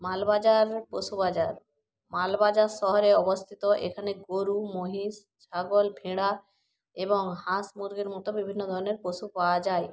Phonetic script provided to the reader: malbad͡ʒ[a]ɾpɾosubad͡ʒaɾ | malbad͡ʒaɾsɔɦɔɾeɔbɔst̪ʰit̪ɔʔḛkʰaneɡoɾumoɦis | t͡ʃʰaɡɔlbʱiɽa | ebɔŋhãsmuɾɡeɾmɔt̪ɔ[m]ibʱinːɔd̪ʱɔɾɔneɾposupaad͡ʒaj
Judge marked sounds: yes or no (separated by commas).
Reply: yes, no